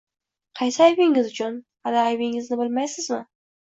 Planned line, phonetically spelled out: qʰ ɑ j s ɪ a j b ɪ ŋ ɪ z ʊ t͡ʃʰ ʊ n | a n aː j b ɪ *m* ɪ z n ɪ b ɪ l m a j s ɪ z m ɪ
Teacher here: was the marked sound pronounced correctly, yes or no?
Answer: no